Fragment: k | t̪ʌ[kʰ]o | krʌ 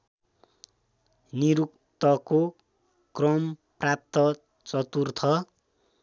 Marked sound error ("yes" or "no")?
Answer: yes